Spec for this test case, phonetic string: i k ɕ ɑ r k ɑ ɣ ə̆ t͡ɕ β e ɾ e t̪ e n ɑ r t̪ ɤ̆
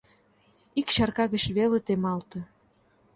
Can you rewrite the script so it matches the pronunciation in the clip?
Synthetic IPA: i k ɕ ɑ r k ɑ ɣ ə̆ t͡ɕ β e l e t̪ e m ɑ l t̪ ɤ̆